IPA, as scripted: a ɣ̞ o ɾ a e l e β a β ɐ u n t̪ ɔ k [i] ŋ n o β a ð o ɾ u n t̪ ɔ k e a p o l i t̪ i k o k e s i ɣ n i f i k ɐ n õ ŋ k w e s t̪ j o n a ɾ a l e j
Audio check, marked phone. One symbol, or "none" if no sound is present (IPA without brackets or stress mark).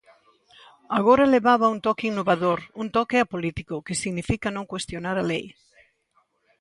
i